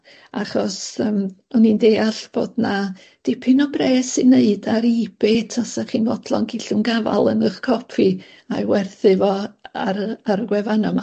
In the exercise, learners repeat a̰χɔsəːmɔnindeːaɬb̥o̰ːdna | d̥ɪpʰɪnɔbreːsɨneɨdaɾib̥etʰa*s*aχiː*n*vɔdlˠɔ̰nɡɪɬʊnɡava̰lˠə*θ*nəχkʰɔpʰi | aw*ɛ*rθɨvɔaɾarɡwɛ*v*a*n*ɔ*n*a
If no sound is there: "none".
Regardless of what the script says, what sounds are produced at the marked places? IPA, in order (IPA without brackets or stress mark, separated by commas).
s, n, none, ɛ, v, n, m